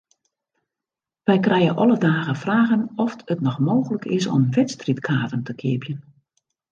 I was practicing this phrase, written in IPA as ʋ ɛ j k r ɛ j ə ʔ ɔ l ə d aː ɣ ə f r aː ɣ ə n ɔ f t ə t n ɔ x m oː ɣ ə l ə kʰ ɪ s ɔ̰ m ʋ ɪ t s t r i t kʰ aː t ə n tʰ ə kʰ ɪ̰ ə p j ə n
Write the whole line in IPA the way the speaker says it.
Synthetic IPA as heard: ʋ ɛ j k r ɛ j ə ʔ ɔ l ə d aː ɣ ə f r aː ɣ ə n ɔ f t ə t n ɔ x m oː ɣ ə l ə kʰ ɪ s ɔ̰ m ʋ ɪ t s t r i t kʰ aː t ə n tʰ ə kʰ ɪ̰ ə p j ə n